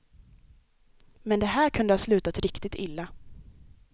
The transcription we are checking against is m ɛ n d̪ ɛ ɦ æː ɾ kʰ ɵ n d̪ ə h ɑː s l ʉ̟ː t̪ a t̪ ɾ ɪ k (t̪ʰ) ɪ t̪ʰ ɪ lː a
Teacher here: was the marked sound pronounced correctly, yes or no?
no